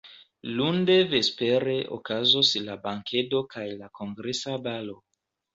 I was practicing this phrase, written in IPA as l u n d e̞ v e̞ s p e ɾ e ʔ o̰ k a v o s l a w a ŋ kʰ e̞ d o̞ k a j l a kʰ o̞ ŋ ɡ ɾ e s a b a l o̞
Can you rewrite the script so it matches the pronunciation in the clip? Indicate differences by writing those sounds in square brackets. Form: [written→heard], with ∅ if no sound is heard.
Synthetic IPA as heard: l u n d e̞ v e̞ s p e ɾ e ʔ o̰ k a [v→z] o s l a [w→b] a ŋ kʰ e̞ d o̞ k a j l a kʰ o̞ ŋ ɡ ɾ e s a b a l o̞